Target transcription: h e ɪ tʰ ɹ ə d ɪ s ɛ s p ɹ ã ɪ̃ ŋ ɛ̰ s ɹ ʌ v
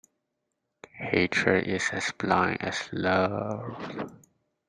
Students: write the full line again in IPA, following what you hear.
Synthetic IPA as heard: h e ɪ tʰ ɹ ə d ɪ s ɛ s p l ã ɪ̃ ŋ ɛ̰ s l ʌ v